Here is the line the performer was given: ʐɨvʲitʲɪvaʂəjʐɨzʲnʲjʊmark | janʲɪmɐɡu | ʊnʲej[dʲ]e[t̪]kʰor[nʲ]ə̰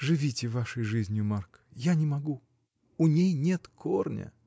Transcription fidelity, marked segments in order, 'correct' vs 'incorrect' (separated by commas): incorrect, correct, correct